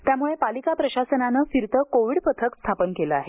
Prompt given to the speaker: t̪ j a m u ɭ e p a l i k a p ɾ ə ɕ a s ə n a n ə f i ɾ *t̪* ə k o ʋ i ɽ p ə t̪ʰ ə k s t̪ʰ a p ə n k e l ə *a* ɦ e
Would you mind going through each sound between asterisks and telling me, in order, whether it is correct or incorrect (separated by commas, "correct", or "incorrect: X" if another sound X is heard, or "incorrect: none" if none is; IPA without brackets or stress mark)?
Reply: correct, correct